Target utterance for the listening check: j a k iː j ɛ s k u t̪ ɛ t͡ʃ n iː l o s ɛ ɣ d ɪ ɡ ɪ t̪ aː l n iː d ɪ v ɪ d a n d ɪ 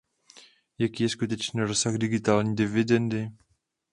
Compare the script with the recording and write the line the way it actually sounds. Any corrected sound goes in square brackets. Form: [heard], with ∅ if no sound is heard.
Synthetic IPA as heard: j a k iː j ɛ s k u t̪ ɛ t͡ʃ n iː [ɾ] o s [a] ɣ d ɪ ɡ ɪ t̪ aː l [ɲ] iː d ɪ v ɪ d [ɛ] n d ɪ